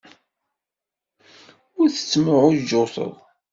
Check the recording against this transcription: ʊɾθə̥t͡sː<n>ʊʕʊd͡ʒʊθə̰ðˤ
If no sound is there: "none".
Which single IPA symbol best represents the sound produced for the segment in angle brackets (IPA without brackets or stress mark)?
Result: m